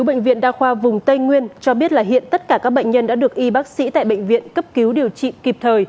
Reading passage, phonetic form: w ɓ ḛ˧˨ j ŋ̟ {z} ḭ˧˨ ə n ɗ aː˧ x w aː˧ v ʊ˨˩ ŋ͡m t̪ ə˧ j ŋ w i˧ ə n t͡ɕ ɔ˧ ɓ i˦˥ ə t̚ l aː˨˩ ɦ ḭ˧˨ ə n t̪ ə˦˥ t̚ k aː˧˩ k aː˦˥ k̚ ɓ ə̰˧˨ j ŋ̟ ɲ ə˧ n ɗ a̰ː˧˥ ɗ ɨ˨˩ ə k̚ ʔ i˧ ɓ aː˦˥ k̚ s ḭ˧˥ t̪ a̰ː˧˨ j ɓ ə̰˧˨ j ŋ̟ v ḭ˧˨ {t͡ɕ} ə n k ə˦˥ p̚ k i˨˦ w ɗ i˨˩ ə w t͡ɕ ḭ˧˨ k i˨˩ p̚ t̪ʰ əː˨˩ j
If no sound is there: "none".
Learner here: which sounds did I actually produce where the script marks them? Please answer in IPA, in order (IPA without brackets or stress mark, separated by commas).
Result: v, none